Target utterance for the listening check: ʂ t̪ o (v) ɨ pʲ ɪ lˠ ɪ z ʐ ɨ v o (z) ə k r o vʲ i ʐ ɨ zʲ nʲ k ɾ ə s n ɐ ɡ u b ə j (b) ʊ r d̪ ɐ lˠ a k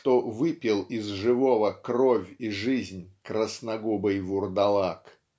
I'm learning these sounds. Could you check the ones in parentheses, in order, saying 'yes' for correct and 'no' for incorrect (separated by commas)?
yes, no, no